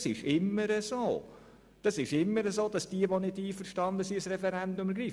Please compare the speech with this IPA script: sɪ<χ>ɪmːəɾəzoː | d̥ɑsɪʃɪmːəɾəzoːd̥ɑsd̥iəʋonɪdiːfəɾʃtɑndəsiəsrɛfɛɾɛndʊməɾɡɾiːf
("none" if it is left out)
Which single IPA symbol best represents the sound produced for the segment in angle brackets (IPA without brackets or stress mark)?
ʃ